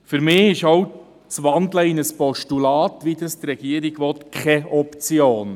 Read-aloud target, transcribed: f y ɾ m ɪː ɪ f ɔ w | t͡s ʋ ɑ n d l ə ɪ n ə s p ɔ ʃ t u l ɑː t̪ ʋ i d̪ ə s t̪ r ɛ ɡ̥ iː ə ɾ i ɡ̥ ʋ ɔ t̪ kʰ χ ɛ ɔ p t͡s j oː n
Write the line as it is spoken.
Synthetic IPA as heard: f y ɾ m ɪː ɪ ʃ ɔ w | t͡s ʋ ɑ n d l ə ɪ n ə s p ɔ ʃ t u l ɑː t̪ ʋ i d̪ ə s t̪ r ɛ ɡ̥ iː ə ɾ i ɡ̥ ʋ ɔ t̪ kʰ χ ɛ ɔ p t͡s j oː n